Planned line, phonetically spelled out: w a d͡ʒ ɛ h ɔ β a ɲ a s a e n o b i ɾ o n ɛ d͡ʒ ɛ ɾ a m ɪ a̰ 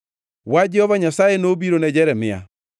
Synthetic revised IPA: w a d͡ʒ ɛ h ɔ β a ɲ a s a e n o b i ɾ o n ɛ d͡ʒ ɛ ɾ ɛ m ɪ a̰